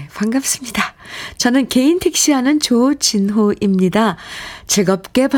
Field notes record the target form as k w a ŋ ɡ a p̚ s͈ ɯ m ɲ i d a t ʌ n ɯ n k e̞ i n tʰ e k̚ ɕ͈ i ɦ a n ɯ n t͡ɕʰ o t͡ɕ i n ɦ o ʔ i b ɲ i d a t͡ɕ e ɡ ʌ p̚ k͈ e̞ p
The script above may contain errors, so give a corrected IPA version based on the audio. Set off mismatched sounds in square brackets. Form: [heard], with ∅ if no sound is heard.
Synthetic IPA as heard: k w a ŋ ɡ a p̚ s͈ ɯ m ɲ i d a [t͡ɕ] ʌ n ɯ n k e̞ i n tʰ e k̚ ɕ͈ i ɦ a n ɯ n [t͡ɕ] o t͡ɕ i n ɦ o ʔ i [m] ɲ i d a t͡ɕ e ɡ ʌ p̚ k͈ e̞ p